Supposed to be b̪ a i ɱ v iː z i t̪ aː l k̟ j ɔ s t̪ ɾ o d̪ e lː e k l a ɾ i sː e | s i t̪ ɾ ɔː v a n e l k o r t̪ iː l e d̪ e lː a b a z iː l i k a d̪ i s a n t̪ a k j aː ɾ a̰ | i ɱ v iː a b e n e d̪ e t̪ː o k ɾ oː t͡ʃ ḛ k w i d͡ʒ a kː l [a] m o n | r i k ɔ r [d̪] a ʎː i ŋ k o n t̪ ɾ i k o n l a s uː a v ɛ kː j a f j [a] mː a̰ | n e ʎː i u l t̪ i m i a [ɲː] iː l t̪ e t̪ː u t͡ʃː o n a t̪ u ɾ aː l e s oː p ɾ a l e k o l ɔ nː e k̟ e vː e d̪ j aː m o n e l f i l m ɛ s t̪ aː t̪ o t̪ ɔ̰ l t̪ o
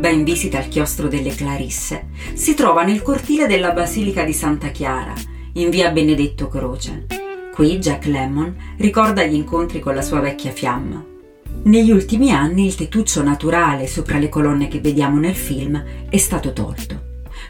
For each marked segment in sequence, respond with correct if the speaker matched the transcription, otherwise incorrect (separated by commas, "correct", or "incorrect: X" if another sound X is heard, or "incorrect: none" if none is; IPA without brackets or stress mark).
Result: incorrect: ɛ, correct, correct, incorrect: nː